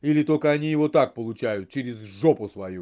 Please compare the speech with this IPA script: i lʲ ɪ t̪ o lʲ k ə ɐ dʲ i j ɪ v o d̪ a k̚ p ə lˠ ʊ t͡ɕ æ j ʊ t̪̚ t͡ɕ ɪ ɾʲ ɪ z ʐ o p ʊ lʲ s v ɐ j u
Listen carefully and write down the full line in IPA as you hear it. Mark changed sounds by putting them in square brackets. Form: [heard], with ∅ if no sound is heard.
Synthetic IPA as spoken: i lʲ ɪ t̪ o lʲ k ə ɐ [nʲ] i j ɪ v o [t̪] a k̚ p ə lˠ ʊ t͡ɕ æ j ʊ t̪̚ t͡ɕ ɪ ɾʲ ɪ z ʐ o p ʊ [∅] s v ɐ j u

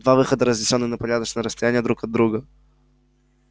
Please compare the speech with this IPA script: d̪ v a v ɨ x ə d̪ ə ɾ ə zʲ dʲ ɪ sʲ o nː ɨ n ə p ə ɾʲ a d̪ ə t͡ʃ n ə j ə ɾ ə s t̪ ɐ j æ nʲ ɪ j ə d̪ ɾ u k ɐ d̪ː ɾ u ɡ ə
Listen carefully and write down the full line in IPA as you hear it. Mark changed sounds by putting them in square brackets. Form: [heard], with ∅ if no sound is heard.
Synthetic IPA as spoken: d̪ v a v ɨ x ə d̪ ə ɾ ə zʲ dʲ ɪ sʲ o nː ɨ n ə p [ɐ] ɾʲ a d̪ ə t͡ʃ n ə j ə ɾ ə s t̪ ɐ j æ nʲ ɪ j ə d̪ ɾ u k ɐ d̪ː ɾ u ɡ ə

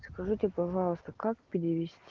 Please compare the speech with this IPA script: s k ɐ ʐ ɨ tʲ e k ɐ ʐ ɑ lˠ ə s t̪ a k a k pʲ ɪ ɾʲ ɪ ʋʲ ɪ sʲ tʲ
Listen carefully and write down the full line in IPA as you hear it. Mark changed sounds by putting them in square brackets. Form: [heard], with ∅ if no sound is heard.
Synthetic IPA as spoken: s k ɐ ʐ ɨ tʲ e [p] ɐ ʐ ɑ lˠ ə s t̪ [ə] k a k pʲ ɪ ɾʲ ɪ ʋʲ ɪ sʲ tʲ

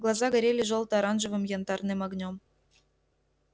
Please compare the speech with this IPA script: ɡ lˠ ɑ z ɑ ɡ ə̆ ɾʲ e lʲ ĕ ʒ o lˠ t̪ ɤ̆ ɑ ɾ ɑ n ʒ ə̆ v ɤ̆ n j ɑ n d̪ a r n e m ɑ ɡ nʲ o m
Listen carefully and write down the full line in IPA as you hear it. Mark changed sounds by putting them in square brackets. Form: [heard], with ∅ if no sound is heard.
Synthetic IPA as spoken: ɡ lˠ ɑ z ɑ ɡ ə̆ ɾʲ e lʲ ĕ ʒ o lˠ t̪ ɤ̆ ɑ ɾ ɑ n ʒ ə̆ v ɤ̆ [m] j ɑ n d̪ [ɑ] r n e m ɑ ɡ nʲ o m

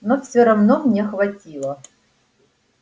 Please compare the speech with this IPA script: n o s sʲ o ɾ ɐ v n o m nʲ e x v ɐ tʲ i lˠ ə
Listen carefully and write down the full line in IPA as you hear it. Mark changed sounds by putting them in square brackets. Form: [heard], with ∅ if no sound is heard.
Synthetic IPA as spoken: n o [f] sʲ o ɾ ɐ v n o m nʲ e x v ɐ tʲ i lˠ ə

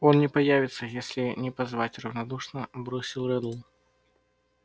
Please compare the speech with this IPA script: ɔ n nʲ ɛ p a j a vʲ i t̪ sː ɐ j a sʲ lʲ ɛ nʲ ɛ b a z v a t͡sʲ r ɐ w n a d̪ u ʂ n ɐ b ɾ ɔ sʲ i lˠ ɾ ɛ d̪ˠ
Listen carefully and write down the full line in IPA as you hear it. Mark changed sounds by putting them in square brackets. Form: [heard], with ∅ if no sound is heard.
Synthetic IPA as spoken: ɔ n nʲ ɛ p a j a vʲ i t̪ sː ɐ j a sʲ lʲ [i] nʲ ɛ [p] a z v a t͡sʲ r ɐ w n a d̪ u ʂ n ɐ b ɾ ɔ sʲ i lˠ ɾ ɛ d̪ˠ

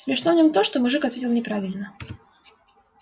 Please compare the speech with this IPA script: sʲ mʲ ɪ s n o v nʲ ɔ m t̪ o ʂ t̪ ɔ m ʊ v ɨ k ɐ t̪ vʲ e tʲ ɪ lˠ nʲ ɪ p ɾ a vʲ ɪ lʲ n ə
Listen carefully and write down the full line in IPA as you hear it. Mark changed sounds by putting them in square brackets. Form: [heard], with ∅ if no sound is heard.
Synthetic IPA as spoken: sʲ mʲ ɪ [ʂ] n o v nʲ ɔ m t̪ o ʂ t̪ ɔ m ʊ [ʐ] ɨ k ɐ t̪ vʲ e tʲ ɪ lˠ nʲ ɪ p ɾ a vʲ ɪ lʲ n ə

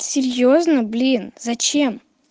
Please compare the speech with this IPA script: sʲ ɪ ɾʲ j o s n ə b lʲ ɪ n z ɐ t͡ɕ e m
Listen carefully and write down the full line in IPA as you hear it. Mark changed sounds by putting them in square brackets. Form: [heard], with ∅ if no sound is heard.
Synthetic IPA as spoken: sʲ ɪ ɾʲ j o [z] n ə b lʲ [i] n z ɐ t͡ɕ e m

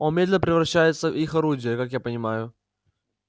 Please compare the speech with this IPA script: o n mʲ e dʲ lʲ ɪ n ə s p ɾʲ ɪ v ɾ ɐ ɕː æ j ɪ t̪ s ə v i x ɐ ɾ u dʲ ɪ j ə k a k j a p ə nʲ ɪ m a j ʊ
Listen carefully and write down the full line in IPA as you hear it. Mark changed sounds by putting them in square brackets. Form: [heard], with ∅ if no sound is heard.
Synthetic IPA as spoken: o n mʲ e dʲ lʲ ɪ n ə [∅] p ɾʲ ɪ v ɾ ɐ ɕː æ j ɪ t̪ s ə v i x ɐ ɾ u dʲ ɪ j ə k a k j a p ə nʲ ɪ m a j ʊ

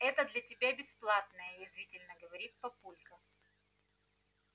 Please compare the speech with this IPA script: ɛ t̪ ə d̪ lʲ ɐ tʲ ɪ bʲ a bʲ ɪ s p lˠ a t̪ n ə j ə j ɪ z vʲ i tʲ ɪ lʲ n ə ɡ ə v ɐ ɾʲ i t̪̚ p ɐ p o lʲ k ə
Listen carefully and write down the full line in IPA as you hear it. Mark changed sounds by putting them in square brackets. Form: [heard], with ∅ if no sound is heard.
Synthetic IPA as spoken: ɛ t̪ ə d̪ lʲ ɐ tʲ ɪ bʲ a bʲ ɪ s p lˠ a t̪ n ə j ə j ɪ z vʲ i tʲ ɪ lʲ n ə ɡ ə v ɐ ɾʲ i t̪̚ p ɐ p [u] lʲ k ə

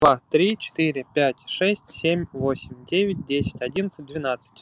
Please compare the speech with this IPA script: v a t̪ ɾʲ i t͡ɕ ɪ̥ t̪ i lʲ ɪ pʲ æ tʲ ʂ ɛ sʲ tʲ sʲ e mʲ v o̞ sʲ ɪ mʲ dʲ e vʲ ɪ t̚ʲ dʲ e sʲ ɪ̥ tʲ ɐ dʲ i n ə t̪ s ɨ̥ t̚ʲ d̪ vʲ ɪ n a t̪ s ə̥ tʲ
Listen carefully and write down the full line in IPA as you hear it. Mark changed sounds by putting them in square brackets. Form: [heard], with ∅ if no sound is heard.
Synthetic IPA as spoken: v a t̪ ɾʲ i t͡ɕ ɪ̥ t̪ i [ɾʲ] ɪ pʲ æ tʲ ʂ ɛ sʲ tʲ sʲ e mʲ v o̞ sʲ ɪ mʲ dʲ e vʲ ɪ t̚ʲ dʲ e sʲ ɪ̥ tʲ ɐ dʲ i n ə t̪ s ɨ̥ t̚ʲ d̪ vʲ ɪ n a t̪ s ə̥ tʲ

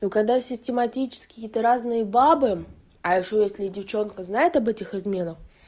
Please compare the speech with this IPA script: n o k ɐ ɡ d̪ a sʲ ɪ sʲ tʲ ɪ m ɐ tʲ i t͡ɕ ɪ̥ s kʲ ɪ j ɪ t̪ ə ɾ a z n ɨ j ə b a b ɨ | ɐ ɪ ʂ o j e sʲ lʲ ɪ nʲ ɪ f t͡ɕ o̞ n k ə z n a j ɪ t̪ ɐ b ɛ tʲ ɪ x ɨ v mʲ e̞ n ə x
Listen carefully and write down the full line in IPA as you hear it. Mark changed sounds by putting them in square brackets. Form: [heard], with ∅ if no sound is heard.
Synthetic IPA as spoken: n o k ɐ ɡ d̪ a sʲ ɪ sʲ tʲ ɪ m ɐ tʲ i t͡ɕ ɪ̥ s kʲ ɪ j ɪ t̪ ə ɾ a z n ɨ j ə b a b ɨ | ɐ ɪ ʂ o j e sʲ lʲ ɪ [dʲ] ɪ f t͡ɕ o̞ n k ə z n a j ɪ t̪ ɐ b ɛ tʲ ɪ x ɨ [z] mʲ e̞ n ə x

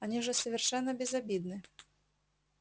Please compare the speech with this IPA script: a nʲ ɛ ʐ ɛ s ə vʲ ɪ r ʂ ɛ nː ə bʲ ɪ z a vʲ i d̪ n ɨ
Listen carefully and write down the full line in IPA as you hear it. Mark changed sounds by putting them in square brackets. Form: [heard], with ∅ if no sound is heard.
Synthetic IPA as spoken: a nʲ [i] ʐ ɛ s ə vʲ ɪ r ʂ ɛ nː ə bʲ ɪ z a [bʲ] i d̪ n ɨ

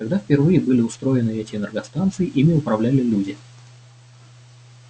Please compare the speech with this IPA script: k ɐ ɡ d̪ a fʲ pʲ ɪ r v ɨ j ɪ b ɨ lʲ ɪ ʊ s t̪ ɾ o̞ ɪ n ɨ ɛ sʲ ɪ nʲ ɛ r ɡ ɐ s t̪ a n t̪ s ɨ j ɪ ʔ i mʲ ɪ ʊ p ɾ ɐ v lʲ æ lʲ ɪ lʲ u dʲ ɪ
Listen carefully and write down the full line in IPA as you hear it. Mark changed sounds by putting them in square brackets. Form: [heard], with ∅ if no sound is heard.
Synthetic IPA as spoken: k ɐ ɡ d̪ a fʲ pʲ ɪ r v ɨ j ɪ b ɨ lʲ ɪ ʊ s t̪ ɾ o̞ ɪ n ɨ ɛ [tʲ] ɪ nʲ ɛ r ɡ ɐ s t̪ a n t̪ s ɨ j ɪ ʔ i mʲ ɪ ʊ p ɾ ɐ v lʲ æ lʲ ɪ lʲ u dʲ ɪ

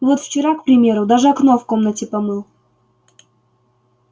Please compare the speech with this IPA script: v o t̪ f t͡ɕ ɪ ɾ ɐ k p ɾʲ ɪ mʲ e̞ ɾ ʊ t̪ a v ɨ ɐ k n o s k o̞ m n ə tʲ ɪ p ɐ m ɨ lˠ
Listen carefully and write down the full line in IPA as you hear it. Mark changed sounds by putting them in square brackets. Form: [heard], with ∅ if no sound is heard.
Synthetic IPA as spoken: v o t̪ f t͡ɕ ɪ ɾ [a] k p ɾʲ ɪ mʲ e̞ ɾ ʊ [d̪] a [ʐ] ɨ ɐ k n o [f] k o̞ m n ə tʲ ɪ p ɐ m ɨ lˠ

